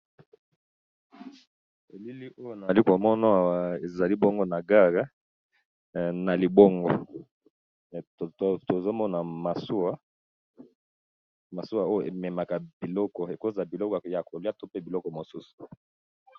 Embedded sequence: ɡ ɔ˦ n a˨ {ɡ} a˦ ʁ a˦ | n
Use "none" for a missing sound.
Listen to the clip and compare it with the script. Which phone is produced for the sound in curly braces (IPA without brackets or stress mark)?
ɡ